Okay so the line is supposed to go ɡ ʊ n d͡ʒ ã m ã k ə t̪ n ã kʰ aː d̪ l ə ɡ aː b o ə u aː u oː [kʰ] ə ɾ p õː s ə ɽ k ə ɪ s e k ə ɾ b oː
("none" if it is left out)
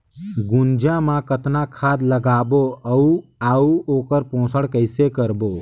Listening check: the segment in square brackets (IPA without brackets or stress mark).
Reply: k